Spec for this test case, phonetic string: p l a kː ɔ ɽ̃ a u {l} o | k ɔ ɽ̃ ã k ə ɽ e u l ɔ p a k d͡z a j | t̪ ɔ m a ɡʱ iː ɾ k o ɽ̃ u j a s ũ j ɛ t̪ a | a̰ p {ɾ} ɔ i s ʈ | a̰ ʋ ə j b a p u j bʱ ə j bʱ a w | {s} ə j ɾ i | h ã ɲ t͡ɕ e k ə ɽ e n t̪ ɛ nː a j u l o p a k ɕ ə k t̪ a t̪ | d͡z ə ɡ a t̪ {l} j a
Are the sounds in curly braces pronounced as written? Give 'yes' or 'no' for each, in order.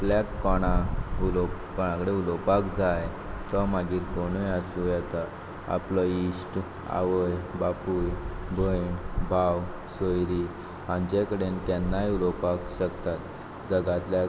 yes, no, yes, yes

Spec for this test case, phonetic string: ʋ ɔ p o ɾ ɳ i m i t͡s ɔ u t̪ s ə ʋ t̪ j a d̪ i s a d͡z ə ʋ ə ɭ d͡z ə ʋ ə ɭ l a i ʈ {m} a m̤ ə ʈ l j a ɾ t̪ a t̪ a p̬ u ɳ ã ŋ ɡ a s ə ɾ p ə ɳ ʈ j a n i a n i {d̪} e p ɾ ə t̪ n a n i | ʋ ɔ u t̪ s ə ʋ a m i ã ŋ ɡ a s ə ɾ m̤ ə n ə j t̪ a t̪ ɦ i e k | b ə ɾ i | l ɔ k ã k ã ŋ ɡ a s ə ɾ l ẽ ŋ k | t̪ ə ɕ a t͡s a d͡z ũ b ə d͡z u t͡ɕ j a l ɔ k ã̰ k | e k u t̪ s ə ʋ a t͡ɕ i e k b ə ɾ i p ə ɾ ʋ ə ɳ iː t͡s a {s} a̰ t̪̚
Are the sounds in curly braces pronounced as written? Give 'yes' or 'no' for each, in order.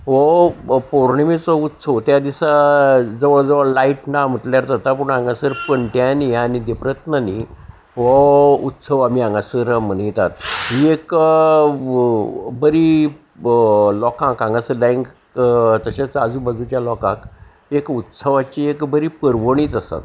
no, yes, yes

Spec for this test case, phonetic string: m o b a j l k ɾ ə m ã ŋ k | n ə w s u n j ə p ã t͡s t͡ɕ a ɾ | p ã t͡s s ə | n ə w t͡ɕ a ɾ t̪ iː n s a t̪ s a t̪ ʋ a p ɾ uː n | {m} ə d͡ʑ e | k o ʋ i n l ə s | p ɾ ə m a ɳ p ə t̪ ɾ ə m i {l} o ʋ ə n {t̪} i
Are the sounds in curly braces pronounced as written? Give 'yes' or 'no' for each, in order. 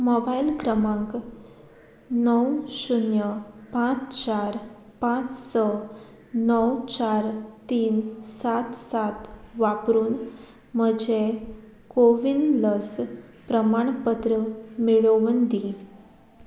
yes, no, no

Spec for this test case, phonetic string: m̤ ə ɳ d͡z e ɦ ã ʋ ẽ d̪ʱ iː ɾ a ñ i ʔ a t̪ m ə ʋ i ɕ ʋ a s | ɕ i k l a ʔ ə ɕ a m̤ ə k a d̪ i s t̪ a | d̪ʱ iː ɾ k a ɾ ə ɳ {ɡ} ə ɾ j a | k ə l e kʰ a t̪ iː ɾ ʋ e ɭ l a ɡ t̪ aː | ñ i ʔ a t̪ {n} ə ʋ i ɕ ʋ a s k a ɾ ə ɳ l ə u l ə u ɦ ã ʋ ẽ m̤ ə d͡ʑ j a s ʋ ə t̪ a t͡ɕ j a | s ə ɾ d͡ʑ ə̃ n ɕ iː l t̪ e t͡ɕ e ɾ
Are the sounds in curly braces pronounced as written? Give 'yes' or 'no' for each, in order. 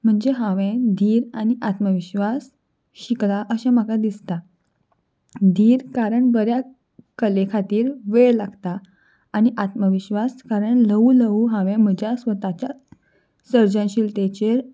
no, no

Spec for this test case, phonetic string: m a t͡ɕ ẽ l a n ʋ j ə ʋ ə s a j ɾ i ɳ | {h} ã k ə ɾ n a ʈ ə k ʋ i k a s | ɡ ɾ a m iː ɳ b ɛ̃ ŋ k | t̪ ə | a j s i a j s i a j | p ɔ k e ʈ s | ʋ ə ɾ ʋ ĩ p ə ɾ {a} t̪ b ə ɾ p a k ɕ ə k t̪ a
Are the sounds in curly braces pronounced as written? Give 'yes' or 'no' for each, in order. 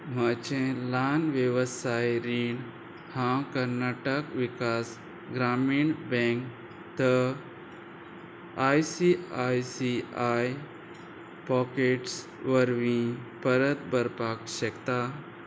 yes, no

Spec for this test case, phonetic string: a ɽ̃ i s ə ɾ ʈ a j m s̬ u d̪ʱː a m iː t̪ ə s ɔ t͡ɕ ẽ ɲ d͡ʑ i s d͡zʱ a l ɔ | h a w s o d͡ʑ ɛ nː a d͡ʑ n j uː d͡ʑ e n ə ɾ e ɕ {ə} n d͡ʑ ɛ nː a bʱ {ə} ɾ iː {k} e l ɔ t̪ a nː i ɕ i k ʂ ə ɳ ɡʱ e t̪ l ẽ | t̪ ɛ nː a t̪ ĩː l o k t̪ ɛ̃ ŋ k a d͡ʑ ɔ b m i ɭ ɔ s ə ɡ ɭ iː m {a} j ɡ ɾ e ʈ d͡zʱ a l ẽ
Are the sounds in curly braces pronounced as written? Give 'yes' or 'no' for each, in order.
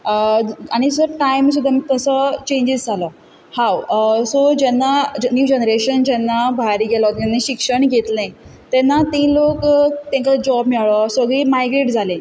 yes, no, no, yes

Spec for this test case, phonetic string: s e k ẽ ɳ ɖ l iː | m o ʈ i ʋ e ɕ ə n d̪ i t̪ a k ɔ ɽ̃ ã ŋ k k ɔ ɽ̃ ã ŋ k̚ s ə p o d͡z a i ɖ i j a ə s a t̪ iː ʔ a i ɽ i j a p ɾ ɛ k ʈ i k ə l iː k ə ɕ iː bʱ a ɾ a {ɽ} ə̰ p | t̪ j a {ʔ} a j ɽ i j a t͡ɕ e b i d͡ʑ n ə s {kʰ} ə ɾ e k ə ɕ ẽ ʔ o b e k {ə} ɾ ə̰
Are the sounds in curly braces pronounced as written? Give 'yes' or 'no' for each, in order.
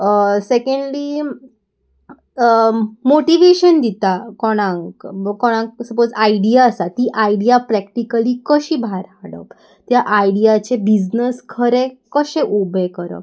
yes, yes, yes, yes

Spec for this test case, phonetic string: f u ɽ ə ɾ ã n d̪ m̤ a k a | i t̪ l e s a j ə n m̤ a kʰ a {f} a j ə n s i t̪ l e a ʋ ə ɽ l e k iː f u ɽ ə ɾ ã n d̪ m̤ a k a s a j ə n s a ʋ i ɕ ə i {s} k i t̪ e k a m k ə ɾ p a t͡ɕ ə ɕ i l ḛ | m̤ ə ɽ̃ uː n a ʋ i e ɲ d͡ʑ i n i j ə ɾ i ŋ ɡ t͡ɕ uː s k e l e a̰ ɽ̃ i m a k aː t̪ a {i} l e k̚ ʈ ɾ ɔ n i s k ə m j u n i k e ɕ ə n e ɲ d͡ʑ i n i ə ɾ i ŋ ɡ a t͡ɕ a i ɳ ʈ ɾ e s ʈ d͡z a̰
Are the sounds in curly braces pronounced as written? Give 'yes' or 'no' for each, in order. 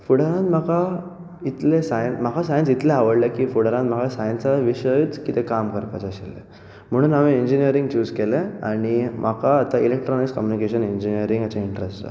no, no, yes

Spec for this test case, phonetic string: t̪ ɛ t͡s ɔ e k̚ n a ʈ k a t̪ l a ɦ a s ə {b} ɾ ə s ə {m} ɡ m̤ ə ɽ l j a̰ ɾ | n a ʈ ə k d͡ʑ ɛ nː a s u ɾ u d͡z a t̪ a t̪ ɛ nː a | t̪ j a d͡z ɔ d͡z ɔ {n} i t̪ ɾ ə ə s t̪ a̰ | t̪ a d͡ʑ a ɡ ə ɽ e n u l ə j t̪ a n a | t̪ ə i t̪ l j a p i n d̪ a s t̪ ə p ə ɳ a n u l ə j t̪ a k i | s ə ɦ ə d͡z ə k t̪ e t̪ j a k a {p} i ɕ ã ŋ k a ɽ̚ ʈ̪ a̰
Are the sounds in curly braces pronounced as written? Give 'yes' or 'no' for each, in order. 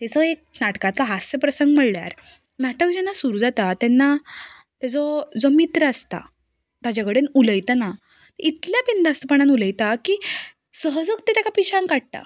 no, no, no, yes

